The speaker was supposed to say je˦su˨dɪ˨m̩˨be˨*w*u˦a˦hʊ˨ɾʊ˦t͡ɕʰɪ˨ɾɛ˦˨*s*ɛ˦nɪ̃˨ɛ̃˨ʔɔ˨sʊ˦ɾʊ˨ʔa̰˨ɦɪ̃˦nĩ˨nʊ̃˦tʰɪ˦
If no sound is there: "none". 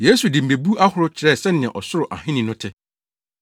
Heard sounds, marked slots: b, s

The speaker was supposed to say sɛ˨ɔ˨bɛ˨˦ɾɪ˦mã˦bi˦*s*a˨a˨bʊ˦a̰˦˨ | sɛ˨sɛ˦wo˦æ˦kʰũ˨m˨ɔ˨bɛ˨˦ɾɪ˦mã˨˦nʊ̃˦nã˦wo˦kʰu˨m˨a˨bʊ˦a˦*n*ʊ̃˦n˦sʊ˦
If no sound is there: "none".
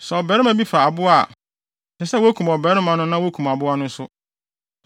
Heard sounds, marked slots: f, n

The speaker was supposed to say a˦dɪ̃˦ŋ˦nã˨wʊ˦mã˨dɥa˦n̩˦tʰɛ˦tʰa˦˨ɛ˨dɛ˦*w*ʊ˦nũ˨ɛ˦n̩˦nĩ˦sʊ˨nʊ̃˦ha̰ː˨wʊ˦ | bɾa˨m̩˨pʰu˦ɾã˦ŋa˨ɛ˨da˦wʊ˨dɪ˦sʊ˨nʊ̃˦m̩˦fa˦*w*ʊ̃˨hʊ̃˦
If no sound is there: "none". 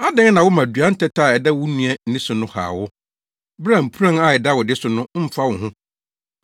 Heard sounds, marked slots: w, w

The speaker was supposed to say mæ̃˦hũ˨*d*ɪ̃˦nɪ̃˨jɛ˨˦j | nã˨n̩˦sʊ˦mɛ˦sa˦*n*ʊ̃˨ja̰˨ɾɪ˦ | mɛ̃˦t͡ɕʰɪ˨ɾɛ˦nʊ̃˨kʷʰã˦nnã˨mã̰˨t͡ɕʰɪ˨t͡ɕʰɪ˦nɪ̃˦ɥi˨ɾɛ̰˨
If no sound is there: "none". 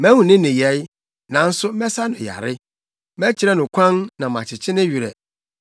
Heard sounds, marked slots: n, n

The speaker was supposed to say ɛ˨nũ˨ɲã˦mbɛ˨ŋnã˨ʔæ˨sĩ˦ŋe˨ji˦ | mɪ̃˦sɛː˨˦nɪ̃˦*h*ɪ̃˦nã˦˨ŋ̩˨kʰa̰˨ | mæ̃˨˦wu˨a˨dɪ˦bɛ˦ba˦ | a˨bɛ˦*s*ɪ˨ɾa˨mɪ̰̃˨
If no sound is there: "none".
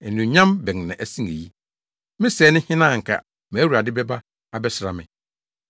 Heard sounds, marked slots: h, s

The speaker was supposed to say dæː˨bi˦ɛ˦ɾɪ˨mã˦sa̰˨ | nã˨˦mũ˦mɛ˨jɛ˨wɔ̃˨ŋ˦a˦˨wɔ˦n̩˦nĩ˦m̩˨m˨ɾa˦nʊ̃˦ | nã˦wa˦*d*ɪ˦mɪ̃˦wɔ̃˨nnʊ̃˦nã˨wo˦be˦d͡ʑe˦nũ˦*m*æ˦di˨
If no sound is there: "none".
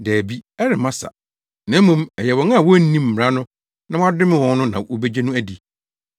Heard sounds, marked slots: d, none

